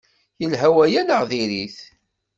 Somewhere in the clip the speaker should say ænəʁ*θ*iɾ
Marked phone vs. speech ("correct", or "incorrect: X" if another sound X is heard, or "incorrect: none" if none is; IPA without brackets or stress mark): incorrect: ð